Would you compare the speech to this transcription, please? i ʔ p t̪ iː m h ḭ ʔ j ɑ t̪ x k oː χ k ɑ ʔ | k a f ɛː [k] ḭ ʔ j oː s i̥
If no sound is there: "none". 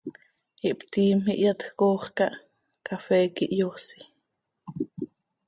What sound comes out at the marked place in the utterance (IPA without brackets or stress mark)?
k